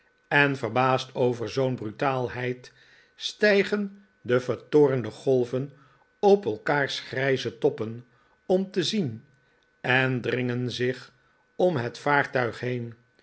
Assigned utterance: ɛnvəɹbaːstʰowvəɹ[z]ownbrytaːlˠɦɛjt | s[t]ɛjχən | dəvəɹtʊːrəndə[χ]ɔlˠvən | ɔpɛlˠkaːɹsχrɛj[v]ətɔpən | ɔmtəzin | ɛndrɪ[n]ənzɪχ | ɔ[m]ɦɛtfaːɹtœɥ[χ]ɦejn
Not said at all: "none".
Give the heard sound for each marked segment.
z, t, χ, z, ŋ, m, χ

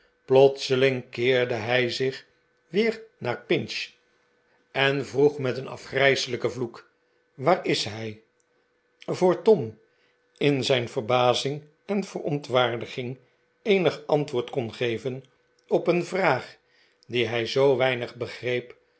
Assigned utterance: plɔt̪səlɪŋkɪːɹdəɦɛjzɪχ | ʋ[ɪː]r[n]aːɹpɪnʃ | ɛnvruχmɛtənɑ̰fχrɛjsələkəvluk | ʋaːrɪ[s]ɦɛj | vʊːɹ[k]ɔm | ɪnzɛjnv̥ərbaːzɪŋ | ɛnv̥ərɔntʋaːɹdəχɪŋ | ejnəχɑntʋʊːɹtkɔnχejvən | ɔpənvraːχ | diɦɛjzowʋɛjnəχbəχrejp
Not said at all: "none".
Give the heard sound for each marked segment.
ɪː, n, s, t

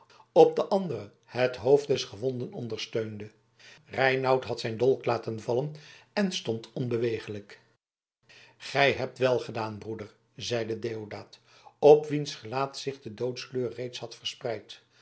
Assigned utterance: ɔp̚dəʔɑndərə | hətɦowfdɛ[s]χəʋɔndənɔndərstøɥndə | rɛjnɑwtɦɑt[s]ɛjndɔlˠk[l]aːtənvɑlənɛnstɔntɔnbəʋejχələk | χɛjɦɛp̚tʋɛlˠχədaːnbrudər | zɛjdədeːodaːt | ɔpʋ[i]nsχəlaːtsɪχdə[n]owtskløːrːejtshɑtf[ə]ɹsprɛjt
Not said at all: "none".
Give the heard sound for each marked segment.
s, s, l, i, d, ə

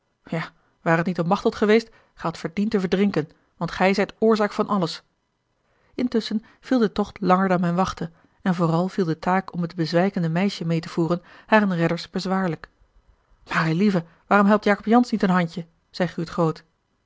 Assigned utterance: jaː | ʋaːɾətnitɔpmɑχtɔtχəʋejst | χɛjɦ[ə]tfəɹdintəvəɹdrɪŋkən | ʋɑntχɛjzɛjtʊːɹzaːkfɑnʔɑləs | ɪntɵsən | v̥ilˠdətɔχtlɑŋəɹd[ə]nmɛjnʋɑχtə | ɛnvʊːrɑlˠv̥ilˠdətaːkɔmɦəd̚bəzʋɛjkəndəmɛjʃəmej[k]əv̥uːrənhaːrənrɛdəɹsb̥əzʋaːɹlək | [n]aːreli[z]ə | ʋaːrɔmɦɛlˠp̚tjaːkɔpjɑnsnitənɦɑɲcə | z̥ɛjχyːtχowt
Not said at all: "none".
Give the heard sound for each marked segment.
ɑ, ɑ, t, m, v

